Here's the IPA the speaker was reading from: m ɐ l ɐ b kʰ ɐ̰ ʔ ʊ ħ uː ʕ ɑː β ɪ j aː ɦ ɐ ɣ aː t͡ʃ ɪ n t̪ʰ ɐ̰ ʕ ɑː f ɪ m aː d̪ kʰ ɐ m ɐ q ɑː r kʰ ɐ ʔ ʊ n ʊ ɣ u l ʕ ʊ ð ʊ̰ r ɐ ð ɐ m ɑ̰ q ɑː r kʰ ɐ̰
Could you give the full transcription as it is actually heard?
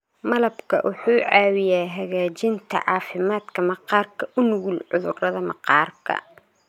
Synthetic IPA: m ɐ l ɐ b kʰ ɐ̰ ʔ ʊ ħ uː ʕ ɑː w ɪ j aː ɦ ɐ ɣ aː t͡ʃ ɪ n t̪ʰ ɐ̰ ʕ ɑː f ɪ m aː d̪ kʰ ɐ m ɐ q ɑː r kʰ ɐ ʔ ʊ n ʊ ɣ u l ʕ ʊ ð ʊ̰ r ɐ ð ɐ m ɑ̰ q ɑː r kʰ ɐ̰

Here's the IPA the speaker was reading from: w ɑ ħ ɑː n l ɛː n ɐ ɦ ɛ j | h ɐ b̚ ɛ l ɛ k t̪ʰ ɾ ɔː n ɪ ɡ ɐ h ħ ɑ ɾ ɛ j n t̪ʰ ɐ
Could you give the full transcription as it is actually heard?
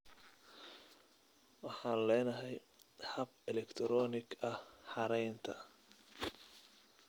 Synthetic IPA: w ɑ ħ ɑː n l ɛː n ɐ ɦ ɛ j | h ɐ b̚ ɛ l ɛ k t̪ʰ ɾ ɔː n ɪ ɡ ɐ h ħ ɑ ɾ ɛ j n t̪ʰ ɐ

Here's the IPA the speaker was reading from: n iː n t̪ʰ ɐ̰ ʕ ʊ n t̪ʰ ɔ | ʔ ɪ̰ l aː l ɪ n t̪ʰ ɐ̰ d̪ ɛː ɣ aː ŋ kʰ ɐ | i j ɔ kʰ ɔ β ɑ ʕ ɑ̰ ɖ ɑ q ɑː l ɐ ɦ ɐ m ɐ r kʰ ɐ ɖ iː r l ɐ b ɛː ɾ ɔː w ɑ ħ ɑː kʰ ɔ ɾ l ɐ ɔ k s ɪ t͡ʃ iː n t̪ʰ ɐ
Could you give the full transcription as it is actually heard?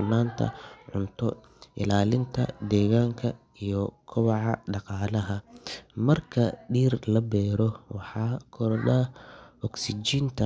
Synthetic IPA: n aː n t̪ʰ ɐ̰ ʕ ʊ n t̪ʰ ɔ | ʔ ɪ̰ l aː l ɪ n t̪ʰ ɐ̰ d̪ ɛː ɣ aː ŋ kʰ ɐ | i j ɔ kʰ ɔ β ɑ ʕ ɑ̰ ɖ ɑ q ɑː l ɐ ɦ ɐ m ɐ r kʰ ɐ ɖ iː r l ɐ b ɛː ɾ ɔ w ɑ ħ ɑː kʰ ɔ ɾ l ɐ ɔ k s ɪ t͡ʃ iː n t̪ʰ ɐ

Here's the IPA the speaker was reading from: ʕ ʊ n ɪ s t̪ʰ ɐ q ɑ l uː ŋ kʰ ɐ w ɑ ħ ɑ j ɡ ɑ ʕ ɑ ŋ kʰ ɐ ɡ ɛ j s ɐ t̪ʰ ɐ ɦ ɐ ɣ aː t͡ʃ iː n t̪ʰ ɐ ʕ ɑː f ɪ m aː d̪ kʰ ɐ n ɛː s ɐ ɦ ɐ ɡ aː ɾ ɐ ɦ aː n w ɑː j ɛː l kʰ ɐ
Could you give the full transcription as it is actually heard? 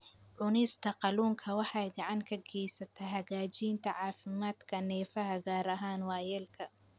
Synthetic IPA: ʕ ʊ n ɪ s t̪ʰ ɐ q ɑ l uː ŋ kʰ ɐ w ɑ ħ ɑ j ɡ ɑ ʕ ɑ ŋ kʰ ɐ ɡ ɛ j s ɐ t̪ʰ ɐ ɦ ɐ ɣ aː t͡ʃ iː n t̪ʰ ɐ ʕ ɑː f ɪ m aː d̪ kʰ ɐ n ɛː f ɐ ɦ ɐ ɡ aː ɾ ɐ ɦ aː n w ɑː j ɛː l kʰ ɐ

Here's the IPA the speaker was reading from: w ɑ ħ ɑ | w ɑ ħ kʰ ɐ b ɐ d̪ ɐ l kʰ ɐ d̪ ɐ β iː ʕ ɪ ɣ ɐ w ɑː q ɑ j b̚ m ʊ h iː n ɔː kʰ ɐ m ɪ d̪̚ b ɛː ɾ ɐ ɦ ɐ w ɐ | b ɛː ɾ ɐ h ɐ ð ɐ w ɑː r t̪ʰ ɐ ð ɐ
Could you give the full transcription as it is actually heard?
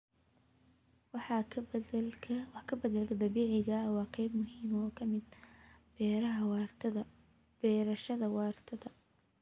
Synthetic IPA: w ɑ ħ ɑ | w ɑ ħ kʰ ɐ b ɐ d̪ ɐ l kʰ ɐ d̪ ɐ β iː ʕ ɪ ɣ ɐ w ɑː q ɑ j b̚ m ʊ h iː m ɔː kʰ ɐ m ɪ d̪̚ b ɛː ɾ ɐ ɦ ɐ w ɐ | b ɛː ɾ ɐ ʃ ɐ ð ɐ w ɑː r t̪ʰ ɐ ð ɐ

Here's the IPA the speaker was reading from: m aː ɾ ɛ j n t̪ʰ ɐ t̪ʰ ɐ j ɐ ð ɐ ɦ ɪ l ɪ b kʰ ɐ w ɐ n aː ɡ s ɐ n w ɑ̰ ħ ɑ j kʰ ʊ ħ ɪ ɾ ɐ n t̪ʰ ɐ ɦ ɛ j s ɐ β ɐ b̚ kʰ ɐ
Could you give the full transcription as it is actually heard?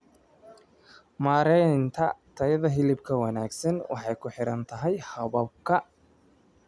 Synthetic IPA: m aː ɾ ɛ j n t̪ʰ ɐ t̪ʰ ɐ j ɐ ð ɐ ɦ ɪ l ɪ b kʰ ɐ w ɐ n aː ɡ s ɐ n w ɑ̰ ħ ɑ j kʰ ʊ ħ ɪ ɾ ɐ n t̪ʰ ɐ ɦ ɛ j h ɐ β ɐ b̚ kʰ ɐ

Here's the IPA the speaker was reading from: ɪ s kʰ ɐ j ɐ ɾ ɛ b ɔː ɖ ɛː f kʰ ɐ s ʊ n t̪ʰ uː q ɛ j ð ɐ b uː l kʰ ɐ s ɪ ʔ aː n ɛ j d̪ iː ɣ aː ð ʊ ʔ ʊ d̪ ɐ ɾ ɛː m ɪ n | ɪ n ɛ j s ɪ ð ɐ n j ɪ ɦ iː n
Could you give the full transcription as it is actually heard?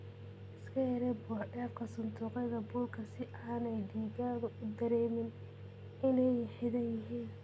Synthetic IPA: ɪ s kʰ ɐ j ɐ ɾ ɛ b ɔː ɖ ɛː f kʰ ɐ s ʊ n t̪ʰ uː q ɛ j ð ɐ b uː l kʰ ɐ s ɪ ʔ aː n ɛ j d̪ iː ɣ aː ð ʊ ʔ ʊ d̪ ɐ ɾ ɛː m ɪ n | ɪ n ɛ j ħ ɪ ð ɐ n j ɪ ɦ iː n

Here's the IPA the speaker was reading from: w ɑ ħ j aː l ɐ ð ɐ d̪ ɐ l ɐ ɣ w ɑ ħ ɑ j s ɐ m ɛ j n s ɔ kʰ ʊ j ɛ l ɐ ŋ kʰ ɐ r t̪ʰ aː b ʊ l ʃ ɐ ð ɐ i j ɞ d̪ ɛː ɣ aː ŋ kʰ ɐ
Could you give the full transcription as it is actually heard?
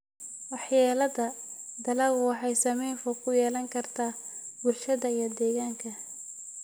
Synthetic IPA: w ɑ ħ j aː l ɐ ð ɐ d̪ ɐ l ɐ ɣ w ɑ ħ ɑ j s ɐ m ɛ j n f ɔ kʰ ʊ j ɛː l ɐ ŋ kʰ ɐ r t̪ʰ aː b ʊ l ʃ ɐ ð ɐ i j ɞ d̪ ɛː ɣ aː ŋ kʰ ɐ

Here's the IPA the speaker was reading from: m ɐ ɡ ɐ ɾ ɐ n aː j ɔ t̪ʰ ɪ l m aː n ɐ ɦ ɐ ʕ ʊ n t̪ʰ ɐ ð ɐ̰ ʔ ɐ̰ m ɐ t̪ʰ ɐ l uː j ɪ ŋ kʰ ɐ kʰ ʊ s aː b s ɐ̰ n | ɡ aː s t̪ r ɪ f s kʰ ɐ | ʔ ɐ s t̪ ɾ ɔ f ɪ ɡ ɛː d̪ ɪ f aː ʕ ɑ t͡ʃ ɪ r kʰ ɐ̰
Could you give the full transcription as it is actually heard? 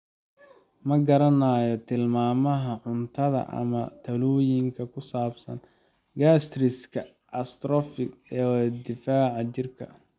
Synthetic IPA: m ɐ ɡ ɐ ɾ ɐ n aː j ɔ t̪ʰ ɪ l m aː m ɐ ɦ ɐ ʕ ʊ n t̪ʰ ɐ ð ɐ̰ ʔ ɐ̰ m ɐ t̪ʰ ɐ l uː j ɪ ŋ kʰ ɐ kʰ ʊ s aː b s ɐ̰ n | ɡ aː s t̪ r ɪ s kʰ ɐ | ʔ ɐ s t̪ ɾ ɔ f ɪ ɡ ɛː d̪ ɪ f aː ʕ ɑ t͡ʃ ɪ r kʰ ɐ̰

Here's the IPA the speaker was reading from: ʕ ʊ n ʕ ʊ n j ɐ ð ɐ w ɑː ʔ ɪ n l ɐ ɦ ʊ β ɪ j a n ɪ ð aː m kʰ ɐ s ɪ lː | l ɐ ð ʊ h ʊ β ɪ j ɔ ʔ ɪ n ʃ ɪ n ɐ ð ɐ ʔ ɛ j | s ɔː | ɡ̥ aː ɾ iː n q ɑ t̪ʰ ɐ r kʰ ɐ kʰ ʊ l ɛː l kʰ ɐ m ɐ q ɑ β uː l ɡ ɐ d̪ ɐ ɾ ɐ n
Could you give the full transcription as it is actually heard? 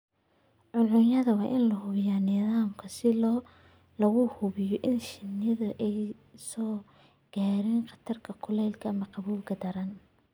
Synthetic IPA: ʕ ʊ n ʕ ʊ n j ɐ ð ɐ w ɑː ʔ ɪ n l ɐ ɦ ʊ β ɪ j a n ɪ ð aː m kʰ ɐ s ɪ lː | l ɐ ɣ ʊ h ʊ β ɪ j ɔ ʔ ɪ n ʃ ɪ n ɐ ð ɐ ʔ ɛ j | s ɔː | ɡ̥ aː ɾ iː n q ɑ t̪ʰ ɐ r kʰ ɐ kʰ ʊ l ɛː l kʰ ɐ m ɐ q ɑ β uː l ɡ ɐ d̪ ɐ ɾ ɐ n

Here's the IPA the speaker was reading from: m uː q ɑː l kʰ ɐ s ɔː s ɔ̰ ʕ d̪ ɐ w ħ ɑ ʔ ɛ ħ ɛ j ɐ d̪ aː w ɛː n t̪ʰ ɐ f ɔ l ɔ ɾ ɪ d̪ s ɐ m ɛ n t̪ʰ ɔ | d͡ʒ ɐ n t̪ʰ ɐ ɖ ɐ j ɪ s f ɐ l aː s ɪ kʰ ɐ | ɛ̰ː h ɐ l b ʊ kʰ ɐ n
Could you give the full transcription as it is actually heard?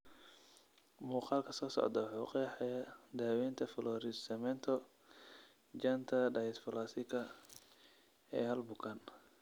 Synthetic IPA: m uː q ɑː l kʰ ɐ s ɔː s ɔ̰ ʕ d̪ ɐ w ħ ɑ q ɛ ħ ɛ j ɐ d̪ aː w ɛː n t̪ʰ ɐ f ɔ l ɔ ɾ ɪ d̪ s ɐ m ɛ n t̪ʰ ɔ | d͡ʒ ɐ n t̪ʰ ɐ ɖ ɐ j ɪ s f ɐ l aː s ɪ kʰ ɐ | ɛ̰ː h ɐ l b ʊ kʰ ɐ n

